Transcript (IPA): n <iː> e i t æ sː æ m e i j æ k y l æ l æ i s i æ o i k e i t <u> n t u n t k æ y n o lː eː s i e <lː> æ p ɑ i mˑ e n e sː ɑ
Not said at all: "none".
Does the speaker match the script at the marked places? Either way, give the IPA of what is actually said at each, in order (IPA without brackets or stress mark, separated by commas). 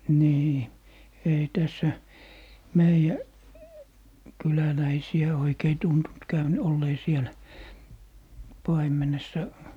iː, u, l